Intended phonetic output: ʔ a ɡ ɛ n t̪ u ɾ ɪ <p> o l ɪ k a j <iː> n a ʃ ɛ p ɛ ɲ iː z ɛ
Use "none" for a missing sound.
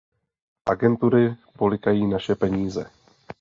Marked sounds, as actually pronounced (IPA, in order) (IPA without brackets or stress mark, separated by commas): p, iː